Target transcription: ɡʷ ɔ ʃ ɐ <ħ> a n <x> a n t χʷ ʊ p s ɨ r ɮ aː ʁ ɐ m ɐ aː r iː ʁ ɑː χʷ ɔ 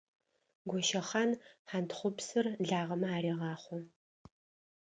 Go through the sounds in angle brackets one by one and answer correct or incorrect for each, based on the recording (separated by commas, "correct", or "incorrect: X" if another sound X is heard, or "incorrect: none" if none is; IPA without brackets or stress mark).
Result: incorrect: χ, incorrect: ħ